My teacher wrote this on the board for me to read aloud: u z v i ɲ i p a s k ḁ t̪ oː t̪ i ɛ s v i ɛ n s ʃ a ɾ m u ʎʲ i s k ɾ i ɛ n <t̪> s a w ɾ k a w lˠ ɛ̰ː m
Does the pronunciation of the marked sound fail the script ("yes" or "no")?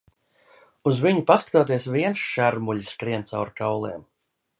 no